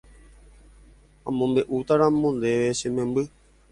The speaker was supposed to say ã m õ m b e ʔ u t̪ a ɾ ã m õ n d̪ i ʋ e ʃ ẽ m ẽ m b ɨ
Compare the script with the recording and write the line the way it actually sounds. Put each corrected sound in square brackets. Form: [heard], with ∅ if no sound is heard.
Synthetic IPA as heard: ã m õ m b e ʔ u t̪ a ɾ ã m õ n d̪ [e] ʋ e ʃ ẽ m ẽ m b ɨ